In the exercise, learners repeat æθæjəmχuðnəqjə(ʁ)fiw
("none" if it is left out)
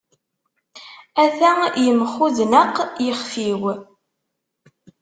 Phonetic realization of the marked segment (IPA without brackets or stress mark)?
χ